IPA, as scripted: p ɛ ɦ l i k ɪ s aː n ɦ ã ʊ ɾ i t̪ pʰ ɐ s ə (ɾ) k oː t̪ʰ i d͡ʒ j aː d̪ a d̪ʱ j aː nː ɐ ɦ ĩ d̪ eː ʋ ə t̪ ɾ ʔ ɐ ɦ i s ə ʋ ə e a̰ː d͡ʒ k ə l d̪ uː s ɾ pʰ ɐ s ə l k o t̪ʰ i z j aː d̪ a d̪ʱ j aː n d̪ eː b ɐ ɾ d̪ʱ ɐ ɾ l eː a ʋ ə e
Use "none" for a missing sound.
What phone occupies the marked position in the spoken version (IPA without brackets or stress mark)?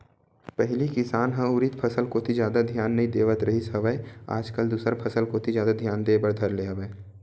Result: l